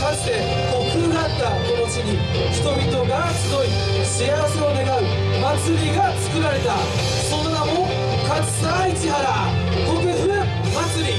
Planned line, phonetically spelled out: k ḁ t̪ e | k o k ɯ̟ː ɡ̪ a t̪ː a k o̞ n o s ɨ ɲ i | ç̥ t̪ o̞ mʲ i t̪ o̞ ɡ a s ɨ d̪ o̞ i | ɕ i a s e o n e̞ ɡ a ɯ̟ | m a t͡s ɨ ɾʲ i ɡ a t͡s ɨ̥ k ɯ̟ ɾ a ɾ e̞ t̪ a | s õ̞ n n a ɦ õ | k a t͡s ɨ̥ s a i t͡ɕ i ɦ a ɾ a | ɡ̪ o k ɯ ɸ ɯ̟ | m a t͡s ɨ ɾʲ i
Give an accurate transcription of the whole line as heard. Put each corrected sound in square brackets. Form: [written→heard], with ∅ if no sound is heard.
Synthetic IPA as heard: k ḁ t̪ e | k o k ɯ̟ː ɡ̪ a t̪ː a k o̞ n o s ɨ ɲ i | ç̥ t̪ o̞ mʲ i t̪ o̞ ɡ a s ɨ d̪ o̞ i | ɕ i a s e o n e̞ ɡ a ɯ̟ | m a t͡s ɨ ɾʲ i ɡ a t͡s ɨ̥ k ɯ̟ ɾ a ɾ e̞ t̪ a | s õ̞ n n a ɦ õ | k a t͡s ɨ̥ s a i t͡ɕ i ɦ a ɾ a | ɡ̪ o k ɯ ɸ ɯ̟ | m a t͡s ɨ ɾʲ i

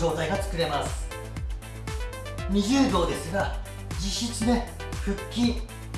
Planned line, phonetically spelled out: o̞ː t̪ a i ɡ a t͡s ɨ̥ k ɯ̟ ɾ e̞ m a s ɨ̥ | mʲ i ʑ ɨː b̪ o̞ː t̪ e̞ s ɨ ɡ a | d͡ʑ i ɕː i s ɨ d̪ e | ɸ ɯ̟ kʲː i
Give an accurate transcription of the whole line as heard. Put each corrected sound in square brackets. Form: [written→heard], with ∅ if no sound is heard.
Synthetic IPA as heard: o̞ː t̪ a i ɡ a t͡s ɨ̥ k ɯ̟ ɾ e̞ m a s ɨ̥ | mʲ i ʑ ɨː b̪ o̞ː [t̪→d̪] e̞ s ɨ ɡ a | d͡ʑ i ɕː i [s→t͡s] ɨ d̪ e | ɸ ɯ̟ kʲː i

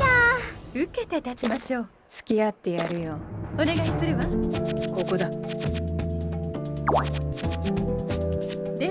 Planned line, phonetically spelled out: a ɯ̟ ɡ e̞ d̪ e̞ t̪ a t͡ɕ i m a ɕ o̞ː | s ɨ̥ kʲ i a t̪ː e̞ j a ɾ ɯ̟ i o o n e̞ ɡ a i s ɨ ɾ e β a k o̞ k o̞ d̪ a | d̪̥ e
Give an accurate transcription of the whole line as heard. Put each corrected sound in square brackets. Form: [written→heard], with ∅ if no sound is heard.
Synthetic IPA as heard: a ɯ̟ [ɡ→k] e̞ [d̪→t̪] e̞ t̪ a t͡ɕ i m a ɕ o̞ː | s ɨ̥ kʲ i a t̪ː e̞ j a ɾ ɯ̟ [i→j] o o n e̞ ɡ a i s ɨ ɾ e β a k o̞ k o̞ d̪ a | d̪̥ e

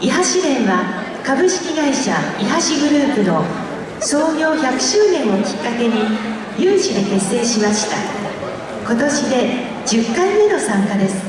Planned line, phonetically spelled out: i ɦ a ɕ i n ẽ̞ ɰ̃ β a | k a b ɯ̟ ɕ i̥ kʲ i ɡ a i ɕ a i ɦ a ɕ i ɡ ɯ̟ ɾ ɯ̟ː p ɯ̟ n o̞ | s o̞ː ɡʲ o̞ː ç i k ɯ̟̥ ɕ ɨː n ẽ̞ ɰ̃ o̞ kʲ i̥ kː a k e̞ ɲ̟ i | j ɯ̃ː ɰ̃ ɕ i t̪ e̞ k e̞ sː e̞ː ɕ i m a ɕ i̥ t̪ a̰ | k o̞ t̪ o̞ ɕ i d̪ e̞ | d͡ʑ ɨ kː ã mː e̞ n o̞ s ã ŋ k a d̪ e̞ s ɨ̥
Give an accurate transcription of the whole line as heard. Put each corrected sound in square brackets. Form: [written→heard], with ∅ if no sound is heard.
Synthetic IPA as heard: i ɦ a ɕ i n ẽ̞ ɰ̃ β a | k a b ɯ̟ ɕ i̥ kʲ i ɡ a i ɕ a i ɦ a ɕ i ɡ ɯ̟ ɾ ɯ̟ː p ɯ̟ n o̞ | s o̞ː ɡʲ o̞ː ç [i→a] k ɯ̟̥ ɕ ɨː n ẽ̞ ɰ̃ o̞ kʲ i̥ kː a k e̞ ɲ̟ i | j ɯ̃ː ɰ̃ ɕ i [t̪→d̪] e̞ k e̞ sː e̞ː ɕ i m a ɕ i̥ t̪ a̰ | k o̞ t̪ o̞ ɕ i d̪ e̞ | d͡ʑ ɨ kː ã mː e̞ n o̞ s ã ŋ k a d̪ e̞ s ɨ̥

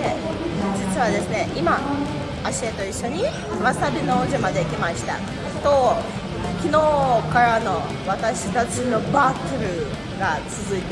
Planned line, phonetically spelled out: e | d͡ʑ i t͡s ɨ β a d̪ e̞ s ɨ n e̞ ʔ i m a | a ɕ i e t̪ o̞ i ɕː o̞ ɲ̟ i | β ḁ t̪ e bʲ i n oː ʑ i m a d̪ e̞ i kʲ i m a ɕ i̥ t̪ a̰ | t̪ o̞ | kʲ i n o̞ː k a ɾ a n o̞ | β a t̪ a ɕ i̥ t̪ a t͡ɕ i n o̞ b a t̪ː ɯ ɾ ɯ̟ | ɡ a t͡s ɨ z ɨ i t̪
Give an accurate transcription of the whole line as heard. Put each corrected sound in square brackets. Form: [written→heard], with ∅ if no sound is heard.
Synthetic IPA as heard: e | d͡ʑ i t͡s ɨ β a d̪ e̞ s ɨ n e̞ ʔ i m a | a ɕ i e t̪ o̞ i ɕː o̞ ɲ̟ i | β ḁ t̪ [e→a] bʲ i n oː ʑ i m a d̪ e̞ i kʲ i m a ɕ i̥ t̪ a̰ | t̪ o̞ | kʲ i n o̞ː k a ɾ a n o̞ | β a t̪ a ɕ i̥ t̪ a t͡ɕ i n o̞ b a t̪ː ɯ ɾ ɯ̟ | ɡ a t͡s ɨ z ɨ i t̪

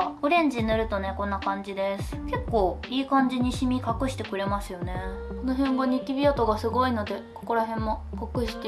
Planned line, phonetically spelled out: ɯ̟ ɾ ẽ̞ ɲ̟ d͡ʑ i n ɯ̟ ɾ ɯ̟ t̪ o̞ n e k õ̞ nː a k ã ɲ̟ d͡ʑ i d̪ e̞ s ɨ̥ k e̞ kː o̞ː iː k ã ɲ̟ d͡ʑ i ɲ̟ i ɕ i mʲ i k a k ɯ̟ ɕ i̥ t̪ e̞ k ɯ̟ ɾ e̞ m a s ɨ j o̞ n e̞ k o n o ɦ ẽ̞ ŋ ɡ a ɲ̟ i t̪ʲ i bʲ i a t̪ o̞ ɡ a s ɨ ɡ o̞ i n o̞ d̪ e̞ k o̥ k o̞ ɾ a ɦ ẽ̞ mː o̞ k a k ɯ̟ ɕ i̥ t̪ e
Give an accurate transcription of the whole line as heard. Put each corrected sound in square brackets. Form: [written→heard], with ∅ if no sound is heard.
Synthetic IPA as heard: ɯ̟ ɾ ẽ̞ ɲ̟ d͡ʑ i n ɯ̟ ɾ ɯ̟ t̪ o̞ n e k õ̞ nː a k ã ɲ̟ d͡ʑ i d̪ e̞ s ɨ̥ k e̞ kː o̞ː iː k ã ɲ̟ d͡ʑ i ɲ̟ i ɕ i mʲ i k a k ɯ̟ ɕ i̥ t̪ e̞ k ɯ̟ ɾ e̞ m a s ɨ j o̞ n e̞ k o n o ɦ ẽ̞ ŋ ɡ a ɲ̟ i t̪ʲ i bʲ i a t̪ o̞ ɡ a s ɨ ɡ o̞ i n o̞ d̪ e̞ k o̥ k o̞ ɾ a ɦ ẽ̞ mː o̞ k a k ɯ̟ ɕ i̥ t̪ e

